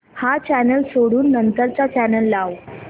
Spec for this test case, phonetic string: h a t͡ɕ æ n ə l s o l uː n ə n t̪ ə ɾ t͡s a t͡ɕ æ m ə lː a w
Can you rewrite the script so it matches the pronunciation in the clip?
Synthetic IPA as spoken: h a t͡ɕ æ n ə l s o ɽ uː nː ə n t̪ ə ɾ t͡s a t͡ɕ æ n ə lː a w